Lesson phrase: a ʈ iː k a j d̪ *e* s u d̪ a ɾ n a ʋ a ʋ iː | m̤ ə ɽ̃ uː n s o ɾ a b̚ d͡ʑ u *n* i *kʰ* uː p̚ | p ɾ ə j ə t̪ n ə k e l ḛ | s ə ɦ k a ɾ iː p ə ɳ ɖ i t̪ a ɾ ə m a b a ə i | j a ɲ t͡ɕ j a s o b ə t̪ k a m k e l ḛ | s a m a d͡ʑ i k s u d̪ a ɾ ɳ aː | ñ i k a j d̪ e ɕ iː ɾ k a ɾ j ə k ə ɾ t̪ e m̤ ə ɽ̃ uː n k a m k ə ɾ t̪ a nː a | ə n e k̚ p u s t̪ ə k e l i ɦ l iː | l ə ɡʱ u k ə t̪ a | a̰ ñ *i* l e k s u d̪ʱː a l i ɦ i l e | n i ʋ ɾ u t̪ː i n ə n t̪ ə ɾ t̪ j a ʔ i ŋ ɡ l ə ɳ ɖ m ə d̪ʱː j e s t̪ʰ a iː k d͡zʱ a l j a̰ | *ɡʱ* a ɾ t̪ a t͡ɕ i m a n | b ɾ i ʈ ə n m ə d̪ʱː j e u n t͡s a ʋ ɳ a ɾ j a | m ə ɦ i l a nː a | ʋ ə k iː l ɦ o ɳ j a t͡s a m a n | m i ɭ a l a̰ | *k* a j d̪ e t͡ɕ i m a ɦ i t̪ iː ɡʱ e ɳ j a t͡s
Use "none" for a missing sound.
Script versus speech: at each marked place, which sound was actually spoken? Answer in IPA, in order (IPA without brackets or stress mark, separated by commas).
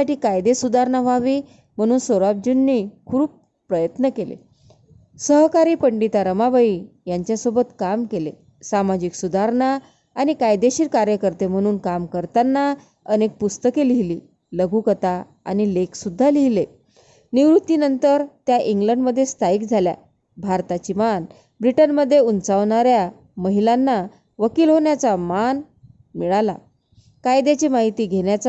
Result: e, nː, kʰ, i, bʱ, k